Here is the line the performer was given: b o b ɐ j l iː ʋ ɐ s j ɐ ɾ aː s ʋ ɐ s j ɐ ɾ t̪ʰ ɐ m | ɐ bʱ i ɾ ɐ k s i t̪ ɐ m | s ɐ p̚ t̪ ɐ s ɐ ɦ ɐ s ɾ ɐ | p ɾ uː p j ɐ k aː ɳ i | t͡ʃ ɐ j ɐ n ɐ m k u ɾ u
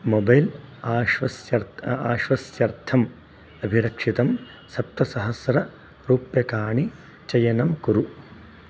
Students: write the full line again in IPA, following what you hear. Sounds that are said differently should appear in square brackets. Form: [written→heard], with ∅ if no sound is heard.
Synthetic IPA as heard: [b→m] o b ɐ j l [iː→aː] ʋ ɐ s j ɐ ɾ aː [s→ʃ] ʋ ɐ s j ɐ ɾ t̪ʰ ɐ m | ɐ bʱ i ɾ ɐ k [s→ʂ] i t̪ ɐ m | s ɐ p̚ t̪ ɐ s ɐ ɦ ɐ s ɾ ɐ | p ɾ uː p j ɐ k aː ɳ i | t͡ʃ ɐ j ɐ n ɐ m k u ɾ u